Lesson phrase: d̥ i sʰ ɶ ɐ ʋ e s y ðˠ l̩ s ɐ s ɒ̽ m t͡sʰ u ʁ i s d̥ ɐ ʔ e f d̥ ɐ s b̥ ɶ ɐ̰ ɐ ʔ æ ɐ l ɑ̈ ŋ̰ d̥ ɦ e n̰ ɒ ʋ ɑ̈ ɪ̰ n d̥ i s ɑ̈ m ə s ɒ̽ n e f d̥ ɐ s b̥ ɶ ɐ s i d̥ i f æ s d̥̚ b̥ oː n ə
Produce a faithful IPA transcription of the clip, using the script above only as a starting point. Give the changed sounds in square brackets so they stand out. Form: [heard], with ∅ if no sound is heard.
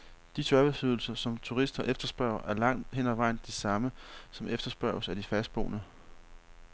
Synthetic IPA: d̥ i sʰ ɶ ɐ ʋ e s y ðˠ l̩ s ɐ s ɒ̽ m t͡sʰ u ʁ i s d̥ ɐ ʔ e f d̥ ɐ s b̥ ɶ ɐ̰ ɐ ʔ æ ɐ l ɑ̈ ŋ̰ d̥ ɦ e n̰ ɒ ʋ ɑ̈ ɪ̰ n d̥ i s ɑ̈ m ə s ɒ̽ [m] e f d̥ ɐ s b̥ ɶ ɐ s [æ] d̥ i f æ s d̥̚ b̥ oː n ə